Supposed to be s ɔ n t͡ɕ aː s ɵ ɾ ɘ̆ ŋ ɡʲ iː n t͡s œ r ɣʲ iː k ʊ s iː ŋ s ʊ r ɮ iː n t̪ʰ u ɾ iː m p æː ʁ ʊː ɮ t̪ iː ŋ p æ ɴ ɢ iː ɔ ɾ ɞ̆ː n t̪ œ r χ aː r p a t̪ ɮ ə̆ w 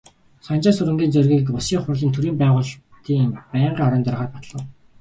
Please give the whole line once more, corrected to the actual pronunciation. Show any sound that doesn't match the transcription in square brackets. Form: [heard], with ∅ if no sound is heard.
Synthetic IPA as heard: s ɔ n t͡ɕ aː s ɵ ɾ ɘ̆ ŋ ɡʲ iː n t͡s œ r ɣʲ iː k ʊ s iː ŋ [χ] ʊ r ɮ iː n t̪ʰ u ɾ iː m p æː ʁ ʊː ɮ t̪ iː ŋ p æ ɴ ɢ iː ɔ ɾ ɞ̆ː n t̪ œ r [ʁ] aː r p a t̪ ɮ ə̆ w